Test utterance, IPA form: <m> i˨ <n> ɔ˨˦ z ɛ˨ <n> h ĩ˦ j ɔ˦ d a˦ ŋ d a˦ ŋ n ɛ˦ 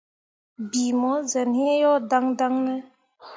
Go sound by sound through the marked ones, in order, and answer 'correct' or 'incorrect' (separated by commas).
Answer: incorrect, incorrect, correct